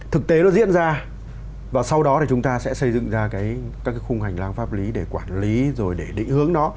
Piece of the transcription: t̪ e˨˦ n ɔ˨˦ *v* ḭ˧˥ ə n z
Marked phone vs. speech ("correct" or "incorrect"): incorrect